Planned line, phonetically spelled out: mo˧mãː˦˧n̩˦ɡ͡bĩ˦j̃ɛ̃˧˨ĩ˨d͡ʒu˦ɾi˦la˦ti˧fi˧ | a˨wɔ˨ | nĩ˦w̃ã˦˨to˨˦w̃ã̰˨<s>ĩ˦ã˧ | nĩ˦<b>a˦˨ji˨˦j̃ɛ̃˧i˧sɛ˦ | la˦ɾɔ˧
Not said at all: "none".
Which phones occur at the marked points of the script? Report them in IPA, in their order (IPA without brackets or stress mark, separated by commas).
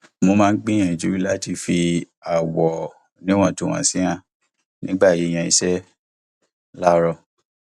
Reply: s, ɡ͡b